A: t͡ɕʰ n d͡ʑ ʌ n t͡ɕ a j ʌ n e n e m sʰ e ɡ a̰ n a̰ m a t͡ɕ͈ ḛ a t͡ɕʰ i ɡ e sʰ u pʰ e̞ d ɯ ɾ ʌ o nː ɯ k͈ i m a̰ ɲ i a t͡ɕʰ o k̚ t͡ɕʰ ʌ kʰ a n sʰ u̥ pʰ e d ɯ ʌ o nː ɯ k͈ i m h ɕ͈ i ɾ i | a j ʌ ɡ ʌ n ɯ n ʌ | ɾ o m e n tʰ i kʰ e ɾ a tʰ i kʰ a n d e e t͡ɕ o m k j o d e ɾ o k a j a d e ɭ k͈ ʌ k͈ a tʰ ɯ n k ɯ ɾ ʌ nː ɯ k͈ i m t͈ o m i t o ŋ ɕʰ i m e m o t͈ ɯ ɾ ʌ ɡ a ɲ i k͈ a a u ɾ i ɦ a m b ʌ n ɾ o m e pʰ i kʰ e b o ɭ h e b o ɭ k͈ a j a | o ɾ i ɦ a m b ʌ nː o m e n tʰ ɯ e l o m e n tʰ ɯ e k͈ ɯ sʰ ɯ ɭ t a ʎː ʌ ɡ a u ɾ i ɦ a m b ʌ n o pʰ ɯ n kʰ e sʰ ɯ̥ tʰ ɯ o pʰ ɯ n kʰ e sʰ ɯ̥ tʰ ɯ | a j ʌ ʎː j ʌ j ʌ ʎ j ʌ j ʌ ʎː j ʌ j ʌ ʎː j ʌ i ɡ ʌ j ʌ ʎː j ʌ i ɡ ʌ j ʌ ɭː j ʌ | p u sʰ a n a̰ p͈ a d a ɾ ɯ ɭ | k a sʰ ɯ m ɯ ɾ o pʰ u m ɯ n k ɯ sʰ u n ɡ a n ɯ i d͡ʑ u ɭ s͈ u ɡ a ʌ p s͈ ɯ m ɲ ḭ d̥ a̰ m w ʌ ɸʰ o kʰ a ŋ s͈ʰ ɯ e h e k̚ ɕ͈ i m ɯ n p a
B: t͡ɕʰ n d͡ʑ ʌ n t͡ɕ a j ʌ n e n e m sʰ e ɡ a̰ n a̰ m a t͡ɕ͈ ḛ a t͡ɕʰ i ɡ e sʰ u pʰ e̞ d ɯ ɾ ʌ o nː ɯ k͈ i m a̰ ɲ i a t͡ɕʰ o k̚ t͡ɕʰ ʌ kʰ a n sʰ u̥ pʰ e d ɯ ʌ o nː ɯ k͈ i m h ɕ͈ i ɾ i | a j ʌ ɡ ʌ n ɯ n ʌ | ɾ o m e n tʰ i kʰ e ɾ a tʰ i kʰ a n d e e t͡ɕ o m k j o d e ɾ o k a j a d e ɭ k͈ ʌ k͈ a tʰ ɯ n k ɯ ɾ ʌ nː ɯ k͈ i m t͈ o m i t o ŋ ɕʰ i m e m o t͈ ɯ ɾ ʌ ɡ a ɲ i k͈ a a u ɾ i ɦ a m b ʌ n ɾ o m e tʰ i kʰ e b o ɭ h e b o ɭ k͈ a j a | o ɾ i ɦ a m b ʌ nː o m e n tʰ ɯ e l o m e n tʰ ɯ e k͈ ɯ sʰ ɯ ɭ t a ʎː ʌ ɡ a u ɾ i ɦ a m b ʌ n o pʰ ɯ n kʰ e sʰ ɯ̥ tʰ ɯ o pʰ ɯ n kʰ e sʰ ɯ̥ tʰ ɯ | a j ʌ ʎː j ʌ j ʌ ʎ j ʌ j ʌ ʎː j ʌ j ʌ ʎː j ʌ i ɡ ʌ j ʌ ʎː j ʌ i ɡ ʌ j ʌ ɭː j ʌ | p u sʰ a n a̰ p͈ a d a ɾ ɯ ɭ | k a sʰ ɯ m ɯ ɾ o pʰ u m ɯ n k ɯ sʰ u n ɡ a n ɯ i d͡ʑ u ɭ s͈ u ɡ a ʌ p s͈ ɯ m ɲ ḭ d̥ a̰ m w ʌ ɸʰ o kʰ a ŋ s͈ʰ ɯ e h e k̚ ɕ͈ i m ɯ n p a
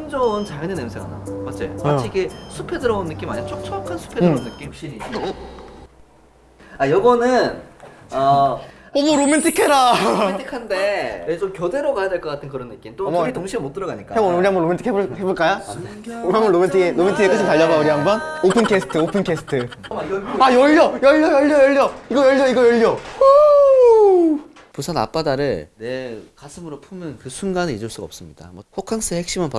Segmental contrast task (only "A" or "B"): B